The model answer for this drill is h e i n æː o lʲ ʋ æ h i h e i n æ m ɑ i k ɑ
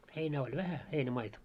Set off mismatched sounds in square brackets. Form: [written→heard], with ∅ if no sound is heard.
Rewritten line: h e i n æː o lʲ ʋ æ h [i→æ] h e i n æ m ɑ i [k→t] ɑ